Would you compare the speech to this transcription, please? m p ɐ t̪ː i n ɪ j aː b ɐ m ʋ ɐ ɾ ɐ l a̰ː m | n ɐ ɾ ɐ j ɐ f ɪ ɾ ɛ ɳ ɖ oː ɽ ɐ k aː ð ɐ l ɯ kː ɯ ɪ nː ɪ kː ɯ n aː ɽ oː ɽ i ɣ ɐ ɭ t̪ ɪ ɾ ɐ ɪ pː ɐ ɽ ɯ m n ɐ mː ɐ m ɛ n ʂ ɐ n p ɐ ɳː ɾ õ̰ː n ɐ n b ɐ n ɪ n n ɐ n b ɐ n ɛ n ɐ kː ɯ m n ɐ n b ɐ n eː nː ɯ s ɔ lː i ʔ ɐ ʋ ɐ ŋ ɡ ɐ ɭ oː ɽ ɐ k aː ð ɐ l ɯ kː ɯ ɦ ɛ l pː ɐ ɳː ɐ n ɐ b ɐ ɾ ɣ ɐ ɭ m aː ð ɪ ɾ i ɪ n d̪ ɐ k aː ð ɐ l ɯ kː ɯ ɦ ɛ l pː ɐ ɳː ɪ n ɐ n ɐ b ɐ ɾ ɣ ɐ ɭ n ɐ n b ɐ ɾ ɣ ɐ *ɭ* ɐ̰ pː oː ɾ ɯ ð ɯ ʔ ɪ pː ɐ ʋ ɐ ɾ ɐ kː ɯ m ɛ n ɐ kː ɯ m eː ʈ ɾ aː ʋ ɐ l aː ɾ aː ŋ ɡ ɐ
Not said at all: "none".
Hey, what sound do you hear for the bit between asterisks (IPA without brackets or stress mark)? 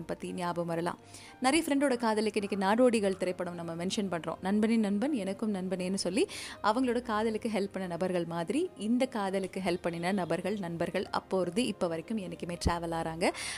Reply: ɭ